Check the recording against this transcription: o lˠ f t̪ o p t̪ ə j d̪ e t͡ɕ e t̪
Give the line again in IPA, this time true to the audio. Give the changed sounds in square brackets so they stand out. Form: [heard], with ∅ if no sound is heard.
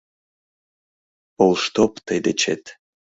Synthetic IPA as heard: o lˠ [ʃ] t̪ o p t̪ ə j d̪ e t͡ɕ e t̪